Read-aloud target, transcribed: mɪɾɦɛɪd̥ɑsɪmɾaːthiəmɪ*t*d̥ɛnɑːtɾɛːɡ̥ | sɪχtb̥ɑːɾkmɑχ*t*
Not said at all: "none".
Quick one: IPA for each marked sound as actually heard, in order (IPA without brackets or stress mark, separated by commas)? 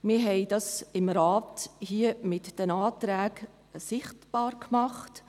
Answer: t, t